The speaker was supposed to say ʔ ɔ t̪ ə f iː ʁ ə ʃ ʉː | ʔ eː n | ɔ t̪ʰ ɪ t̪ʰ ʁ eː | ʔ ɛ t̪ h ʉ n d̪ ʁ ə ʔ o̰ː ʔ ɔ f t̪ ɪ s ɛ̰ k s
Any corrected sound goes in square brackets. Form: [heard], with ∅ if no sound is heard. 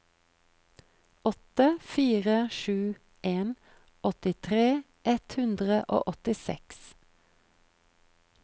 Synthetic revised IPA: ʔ ɔ t̪ ə f iː ʁ ə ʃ ʉː | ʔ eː n | ɔ [t̪] ɪ t̪ʰ ʁ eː | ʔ ɛ t̪ h ʉ n d̪ ʁ ə ʔ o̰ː ʔ ɔ [∅] t̪ ɪ s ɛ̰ k s